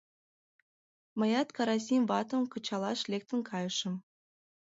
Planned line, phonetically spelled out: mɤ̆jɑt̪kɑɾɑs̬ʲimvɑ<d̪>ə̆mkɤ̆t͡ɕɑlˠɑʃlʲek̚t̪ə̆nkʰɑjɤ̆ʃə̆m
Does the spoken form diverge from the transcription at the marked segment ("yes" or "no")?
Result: yes